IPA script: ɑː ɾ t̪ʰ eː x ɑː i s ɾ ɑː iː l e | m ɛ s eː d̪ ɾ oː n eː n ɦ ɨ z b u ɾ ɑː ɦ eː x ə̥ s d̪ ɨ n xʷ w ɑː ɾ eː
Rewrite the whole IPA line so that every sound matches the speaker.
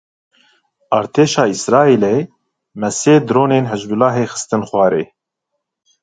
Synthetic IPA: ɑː ɾ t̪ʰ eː ʃ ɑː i s ɾ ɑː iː l e | m ɛ s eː d̪ ɾ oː n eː n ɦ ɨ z b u l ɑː ɦ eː x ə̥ s t̪ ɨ n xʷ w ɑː ɾ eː